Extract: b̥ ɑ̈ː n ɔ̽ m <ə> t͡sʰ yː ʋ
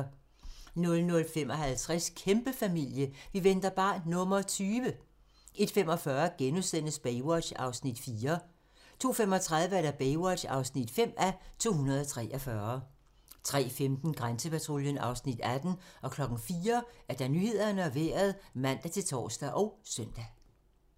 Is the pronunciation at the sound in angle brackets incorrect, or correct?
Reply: incorrect